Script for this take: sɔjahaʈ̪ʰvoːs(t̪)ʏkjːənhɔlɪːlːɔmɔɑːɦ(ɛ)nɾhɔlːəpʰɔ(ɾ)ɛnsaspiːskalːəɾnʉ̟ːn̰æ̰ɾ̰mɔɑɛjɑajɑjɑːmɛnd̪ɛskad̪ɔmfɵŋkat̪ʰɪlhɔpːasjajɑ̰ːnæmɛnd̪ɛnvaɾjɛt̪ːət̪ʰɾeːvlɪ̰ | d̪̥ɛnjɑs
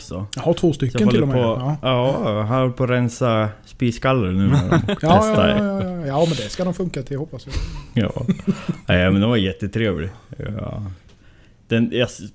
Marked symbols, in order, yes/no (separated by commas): yes, no, yes